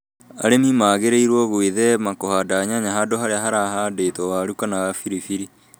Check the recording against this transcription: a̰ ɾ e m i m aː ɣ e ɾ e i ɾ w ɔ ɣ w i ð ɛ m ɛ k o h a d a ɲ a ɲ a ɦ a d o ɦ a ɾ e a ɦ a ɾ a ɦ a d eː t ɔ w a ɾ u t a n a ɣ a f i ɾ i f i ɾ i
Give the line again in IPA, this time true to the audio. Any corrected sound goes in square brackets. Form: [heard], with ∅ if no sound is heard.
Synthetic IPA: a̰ ɾ e m i m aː ɣ e ɾ e i ɾ w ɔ ɣ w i ð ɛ m [a] k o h a d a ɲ a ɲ a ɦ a d o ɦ a ɾ e a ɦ a ɾ a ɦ a d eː t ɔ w a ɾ u [k] a n a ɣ a f i ɾ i f i ɾ i